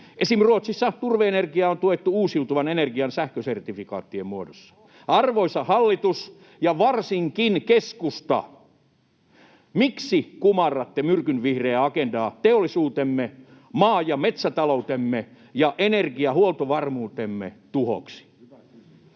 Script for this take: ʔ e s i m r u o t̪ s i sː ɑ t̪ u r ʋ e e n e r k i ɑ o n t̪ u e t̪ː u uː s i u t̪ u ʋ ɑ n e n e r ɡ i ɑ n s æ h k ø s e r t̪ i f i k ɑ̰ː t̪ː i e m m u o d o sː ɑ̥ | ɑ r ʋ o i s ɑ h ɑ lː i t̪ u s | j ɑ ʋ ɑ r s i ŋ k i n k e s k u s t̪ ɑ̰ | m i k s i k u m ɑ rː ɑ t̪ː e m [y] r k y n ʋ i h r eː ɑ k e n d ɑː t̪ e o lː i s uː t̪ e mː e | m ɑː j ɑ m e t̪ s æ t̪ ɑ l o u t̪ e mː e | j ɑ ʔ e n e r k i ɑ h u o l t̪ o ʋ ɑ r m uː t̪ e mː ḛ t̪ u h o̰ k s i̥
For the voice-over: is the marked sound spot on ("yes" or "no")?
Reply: yes